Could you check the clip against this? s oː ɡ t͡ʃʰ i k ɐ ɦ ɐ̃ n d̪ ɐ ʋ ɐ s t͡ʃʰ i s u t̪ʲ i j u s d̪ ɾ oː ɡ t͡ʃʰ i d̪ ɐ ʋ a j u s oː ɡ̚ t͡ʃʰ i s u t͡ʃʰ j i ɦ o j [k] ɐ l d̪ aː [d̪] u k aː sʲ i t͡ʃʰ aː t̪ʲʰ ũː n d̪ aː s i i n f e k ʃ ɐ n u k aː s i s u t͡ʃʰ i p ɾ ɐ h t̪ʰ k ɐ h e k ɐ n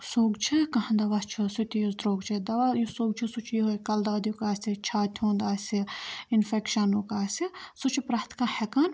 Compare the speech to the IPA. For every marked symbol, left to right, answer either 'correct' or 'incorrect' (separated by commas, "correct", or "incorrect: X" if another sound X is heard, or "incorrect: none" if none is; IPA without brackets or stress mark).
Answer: correct, correct